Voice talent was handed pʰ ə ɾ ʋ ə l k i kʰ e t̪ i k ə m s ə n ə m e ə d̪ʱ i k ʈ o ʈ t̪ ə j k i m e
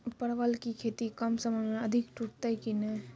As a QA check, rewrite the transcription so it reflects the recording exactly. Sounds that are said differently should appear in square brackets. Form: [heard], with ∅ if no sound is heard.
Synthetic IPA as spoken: [p] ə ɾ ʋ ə l k i kʰ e t̪ i k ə m s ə [m] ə m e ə d̪ʱ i k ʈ [u] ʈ t̪ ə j k i [n] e